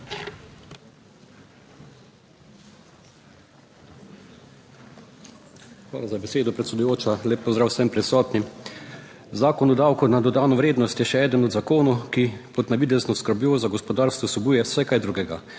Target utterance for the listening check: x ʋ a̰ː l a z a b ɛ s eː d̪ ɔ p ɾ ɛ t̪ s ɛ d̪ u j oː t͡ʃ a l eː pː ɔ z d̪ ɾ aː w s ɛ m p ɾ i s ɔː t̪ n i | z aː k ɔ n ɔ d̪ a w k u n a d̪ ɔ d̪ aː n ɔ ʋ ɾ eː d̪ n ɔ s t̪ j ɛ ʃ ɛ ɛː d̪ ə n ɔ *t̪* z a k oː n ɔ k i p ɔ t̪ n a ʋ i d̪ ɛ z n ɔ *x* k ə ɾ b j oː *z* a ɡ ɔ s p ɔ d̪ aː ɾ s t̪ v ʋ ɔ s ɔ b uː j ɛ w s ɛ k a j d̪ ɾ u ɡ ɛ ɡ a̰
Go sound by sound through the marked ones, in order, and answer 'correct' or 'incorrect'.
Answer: incorrect: d̪, incorrect: s, correct

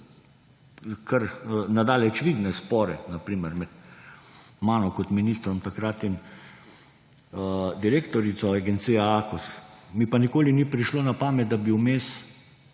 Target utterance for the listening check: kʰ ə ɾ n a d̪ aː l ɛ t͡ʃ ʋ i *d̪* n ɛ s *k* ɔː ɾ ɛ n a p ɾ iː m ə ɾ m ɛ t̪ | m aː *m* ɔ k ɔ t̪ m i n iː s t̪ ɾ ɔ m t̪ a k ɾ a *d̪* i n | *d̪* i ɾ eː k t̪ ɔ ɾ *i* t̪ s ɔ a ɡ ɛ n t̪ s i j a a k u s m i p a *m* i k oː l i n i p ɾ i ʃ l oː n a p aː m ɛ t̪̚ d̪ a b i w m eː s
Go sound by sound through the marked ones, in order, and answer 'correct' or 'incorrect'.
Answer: correct, incorrect: p, incorrect: n, incorrect: t̪, correct, correct, incorrect: n

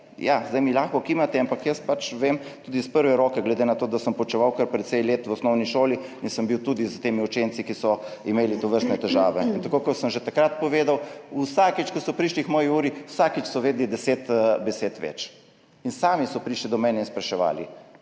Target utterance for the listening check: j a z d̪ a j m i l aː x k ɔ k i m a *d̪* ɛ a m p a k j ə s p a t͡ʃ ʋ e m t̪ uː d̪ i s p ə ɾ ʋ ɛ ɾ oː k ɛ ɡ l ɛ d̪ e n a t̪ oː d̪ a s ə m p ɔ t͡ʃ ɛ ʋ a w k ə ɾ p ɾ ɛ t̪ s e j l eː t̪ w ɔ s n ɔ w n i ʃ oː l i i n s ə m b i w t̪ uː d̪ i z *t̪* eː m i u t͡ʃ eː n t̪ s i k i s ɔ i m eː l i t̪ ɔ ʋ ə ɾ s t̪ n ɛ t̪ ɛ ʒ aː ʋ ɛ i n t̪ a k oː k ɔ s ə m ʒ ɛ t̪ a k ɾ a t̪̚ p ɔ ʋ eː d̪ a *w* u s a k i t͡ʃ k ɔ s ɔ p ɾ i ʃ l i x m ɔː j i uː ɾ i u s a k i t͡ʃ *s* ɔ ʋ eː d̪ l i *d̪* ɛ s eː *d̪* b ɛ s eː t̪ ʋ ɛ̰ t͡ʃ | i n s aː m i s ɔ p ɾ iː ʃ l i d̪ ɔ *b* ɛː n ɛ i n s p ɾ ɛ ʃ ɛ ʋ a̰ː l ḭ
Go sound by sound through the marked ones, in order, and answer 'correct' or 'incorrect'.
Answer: incorrect: t̪, correct, correct, correct, correct, incorrect: t̪, incorrect: m

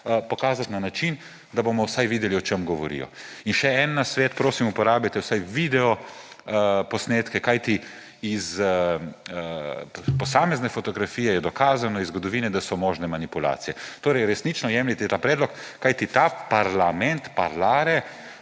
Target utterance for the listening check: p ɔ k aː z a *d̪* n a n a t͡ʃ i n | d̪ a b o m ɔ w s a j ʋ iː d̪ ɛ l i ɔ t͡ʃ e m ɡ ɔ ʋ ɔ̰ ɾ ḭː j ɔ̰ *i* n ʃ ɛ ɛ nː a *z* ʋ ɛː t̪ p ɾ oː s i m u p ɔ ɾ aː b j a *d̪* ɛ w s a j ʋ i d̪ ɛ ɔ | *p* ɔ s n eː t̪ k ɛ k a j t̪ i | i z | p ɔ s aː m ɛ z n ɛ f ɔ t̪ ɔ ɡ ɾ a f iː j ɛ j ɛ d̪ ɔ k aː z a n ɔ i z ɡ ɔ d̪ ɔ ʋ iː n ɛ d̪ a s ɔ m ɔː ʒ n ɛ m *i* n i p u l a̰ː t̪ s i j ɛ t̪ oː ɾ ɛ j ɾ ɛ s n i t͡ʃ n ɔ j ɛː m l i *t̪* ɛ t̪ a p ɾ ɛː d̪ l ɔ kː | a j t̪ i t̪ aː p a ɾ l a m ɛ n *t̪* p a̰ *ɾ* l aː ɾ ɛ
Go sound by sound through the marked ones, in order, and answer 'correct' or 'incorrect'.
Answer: incorrect: t̪, correct, incorrect: s, incorrect: t̪, correct, incorrect: a, correct, correct, correct

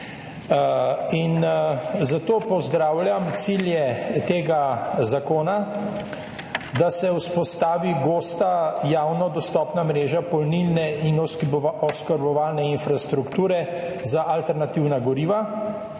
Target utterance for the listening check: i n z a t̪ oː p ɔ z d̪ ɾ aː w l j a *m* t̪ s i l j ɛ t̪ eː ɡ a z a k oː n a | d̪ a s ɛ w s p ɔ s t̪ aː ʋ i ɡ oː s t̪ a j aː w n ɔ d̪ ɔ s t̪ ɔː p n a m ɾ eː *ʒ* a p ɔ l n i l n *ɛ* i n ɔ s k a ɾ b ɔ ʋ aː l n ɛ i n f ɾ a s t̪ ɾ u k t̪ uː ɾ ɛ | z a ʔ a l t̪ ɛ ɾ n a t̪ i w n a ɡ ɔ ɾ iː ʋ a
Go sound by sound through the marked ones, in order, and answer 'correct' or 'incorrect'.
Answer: correct, correct, correct

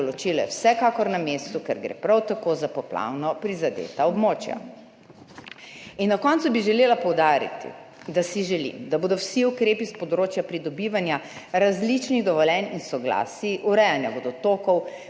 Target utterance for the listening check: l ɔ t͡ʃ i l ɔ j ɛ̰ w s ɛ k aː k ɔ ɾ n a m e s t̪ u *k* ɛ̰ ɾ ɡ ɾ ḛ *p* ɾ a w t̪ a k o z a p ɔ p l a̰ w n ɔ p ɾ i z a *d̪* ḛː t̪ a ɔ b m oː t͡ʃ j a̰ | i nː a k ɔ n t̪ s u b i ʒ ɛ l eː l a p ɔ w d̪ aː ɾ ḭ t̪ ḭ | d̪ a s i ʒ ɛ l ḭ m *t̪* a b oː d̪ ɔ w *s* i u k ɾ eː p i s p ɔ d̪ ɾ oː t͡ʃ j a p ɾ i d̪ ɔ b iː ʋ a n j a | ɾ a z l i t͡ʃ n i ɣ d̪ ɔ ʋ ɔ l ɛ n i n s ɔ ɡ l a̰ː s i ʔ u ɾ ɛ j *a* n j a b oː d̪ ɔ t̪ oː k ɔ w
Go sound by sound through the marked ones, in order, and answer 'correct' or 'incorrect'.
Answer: correct, correct, correct, incorrect: d̪, correct, correct

